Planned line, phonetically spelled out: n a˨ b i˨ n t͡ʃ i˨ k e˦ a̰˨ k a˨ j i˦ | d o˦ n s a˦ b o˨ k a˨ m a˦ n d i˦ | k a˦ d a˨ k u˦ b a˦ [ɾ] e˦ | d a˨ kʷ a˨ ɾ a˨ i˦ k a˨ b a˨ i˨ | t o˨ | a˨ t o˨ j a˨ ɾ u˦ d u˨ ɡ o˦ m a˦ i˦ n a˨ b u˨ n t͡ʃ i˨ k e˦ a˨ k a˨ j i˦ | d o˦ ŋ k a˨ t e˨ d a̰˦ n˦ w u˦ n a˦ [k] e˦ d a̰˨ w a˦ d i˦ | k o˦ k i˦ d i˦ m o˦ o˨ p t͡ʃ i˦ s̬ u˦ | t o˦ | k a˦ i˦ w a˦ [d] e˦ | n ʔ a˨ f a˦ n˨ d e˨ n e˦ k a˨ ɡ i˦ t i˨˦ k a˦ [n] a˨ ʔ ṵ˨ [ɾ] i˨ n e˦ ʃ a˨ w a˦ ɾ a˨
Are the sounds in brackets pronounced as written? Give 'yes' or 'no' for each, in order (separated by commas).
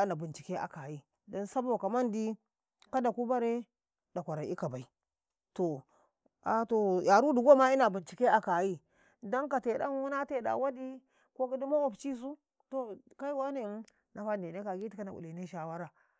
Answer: yes, no, no, yes, no